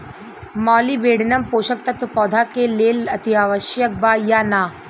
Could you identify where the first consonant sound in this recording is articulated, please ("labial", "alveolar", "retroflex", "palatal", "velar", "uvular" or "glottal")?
labial